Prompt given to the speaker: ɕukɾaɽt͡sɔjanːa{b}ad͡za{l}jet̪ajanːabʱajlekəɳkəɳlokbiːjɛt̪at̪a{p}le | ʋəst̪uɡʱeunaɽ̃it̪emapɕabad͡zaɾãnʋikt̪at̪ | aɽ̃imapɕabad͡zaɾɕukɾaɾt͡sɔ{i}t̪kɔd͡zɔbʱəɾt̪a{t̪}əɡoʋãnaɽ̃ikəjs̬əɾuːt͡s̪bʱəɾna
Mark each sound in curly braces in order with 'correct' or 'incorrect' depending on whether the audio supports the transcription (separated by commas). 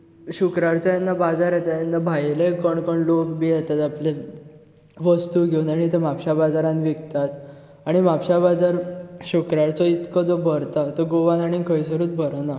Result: correct, incorrect, correct, correct, correct